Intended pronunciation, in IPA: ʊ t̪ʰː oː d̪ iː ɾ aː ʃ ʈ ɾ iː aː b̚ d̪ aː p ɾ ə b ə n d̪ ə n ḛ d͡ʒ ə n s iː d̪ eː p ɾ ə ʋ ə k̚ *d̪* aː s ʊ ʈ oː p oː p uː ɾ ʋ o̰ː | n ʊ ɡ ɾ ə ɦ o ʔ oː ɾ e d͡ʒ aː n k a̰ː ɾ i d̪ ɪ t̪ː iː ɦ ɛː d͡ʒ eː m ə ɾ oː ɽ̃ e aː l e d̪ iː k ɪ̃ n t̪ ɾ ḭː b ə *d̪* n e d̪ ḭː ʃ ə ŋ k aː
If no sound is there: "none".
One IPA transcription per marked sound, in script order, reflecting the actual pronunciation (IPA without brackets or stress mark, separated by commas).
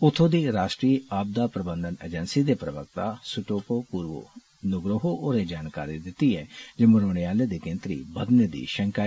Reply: t̪, d̪